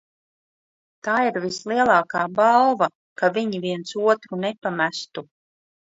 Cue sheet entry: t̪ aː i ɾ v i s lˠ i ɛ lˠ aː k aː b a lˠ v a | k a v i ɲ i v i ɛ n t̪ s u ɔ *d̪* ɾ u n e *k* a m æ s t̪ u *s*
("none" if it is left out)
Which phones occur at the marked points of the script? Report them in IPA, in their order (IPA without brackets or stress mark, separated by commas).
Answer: t̪, p, none